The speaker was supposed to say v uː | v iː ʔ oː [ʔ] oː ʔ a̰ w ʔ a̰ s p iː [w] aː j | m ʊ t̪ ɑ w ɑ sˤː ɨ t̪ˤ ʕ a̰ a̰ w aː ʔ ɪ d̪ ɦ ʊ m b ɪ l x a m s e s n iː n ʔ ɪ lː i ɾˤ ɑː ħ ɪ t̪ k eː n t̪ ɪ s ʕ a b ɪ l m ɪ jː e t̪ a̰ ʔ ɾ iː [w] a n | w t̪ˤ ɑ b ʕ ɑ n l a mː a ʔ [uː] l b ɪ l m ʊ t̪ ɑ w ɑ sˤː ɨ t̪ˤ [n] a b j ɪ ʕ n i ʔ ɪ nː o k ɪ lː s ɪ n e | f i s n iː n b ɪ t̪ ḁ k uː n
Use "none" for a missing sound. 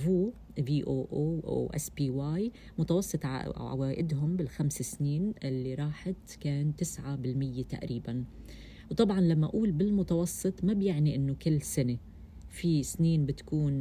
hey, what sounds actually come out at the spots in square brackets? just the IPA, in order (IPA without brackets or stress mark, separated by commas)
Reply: ʔ, w, b, uː, m